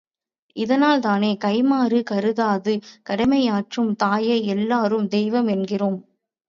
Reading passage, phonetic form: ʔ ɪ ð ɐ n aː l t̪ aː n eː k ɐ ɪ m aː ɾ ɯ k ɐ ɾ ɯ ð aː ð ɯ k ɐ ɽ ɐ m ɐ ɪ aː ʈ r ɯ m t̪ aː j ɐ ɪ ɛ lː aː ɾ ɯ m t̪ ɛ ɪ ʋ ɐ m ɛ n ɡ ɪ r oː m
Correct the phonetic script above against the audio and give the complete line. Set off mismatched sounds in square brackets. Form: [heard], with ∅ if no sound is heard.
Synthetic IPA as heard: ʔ ɪ ð ɐ n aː l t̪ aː n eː k ɐ ɪ m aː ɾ ɯ k ɐ ɾ ɯ ð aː ð ɯ k ɐ ɽ ɐ m ɐ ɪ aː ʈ r ɯ m t̪ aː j ɐ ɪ ɛ lː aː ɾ ɯ m [d̪] ɛ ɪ ʋ ɐ m ɛ n ɡ ɪ r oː m